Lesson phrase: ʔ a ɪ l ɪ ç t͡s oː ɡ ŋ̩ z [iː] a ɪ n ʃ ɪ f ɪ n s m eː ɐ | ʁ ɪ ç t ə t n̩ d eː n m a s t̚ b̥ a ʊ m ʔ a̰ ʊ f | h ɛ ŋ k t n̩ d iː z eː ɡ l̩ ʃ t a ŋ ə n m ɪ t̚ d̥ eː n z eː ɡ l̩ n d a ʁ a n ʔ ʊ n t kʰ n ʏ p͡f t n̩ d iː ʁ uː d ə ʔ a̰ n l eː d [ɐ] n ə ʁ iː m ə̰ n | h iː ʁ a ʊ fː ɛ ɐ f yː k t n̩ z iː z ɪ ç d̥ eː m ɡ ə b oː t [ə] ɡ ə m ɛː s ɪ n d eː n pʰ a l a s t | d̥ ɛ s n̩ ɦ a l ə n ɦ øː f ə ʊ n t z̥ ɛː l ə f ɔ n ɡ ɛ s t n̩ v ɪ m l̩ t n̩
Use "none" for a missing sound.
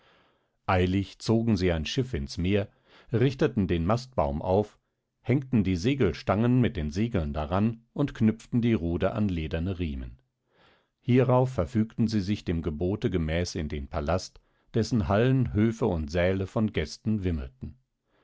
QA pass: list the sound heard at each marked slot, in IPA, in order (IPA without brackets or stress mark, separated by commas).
iː, ɐ, ə